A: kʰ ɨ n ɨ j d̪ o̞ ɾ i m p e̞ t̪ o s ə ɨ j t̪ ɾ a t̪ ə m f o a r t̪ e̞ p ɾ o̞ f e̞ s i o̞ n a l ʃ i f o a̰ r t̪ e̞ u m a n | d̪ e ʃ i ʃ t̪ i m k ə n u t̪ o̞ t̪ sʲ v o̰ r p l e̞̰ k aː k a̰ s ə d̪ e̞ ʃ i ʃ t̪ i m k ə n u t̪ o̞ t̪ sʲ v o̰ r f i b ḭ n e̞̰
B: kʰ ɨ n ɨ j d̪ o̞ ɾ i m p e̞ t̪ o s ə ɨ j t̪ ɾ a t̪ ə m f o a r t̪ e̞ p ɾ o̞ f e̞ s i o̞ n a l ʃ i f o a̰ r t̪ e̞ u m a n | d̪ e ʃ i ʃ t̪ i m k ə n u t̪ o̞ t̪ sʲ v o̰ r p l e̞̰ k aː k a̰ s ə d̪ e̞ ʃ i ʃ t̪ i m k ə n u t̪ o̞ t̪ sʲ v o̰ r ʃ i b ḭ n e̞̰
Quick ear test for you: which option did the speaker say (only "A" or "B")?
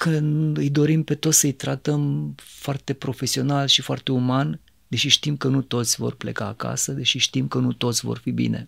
A